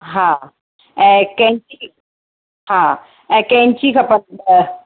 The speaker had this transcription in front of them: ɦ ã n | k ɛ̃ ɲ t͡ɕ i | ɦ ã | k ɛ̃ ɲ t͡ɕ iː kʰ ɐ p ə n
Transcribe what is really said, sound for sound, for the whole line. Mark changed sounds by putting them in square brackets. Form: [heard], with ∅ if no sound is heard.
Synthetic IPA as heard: ɦ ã [∅] | k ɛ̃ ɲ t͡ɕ i | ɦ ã | k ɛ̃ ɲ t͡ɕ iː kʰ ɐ p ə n